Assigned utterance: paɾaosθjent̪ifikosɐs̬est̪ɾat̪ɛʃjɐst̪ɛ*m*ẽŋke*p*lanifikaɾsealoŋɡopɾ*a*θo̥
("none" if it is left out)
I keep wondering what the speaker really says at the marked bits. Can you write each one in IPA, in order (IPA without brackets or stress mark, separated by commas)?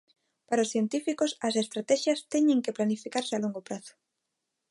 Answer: ɲ, p, a